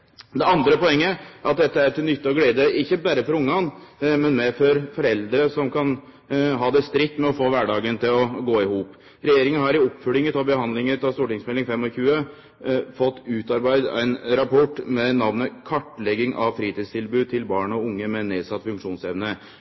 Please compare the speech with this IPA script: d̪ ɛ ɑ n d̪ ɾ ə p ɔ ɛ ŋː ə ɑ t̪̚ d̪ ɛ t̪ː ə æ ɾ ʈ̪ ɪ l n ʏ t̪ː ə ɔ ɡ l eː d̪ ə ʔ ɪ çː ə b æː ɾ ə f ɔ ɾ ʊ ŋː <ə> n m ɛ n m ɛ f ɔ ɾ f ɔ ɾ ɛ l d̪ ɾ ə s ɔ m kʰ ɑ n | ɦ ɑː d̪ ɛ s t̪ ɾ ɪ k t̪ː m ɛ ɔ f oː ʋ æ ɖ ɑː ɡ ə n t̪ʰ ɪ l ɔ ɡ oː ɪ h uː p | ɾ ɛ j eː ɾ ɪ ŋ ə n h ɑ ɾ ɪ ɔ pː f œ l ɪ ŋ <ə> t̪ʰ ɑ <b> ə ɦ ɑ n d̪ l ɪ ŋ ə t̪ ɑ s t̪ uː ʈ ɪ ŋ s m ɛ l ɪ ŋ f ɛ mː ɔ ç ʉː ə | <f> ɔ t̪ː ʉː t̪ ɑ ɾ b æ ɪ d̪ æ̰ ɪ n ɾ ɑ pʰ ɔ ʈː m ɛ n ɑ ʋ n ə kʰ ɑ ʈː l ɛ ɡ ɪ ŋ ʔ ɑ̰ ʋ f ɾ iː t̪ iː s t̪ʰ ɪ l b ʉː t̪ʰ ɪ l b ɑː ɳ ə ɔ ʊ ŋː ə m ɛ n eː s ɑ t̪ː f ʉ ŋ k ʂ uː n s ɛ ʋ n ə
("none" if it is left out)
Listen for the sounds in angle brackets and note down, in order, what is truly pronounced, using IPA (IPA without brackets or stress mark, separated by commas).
ɑ, ə, b, f